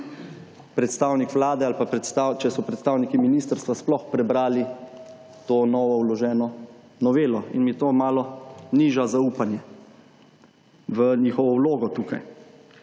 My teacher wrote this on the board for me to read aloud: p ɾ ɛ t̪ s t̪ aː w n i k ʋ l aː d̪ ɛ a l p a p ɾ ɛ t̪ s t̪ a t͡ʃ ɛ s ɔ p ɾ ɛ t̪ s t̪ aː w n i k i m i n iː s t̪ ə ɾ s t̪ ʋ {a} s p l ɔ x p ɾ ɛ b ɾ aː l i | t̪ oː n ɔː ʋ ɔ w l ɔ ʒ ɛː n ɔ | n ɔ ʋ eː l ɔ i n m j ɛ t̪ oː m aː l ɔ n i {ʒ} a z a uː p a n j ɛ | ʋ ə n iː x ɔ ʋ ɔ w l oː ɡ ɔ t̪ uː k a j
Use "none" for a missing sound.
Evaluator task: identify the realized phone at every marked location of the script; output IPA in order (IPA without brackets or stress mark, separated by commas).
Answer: a, ʒ